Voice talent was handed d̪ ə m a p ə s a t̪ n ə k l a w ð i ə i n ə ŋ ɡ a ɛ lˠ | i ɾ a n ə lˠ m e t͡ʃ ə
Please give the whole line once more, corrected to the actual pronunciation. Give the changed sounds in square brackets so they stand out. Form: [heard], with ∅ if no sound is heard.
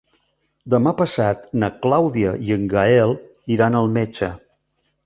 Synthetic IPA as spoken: d̪ ə m a p ə s a t̪ n ə k l a w ð i ə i [∅] ə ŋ ɡ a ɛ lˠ | i ɾ a n ə lˠ m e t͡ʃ ə